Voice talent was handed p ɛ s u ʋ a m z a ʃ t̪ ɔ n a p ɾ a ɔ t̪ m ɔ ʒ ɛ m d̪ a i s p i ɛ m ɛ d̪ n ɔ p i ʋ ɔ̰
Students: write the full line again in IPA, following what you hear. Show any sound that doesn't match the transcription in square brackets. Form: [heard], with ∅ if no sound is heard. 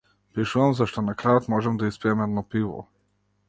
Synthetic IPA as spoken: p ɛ [ʃ] u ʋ a m z a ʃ t̪ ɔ n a [k] ɾ a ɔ t̪ m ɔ ʒ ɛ m d̪ a i s p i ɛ m ɛ d̪ n ɔ p i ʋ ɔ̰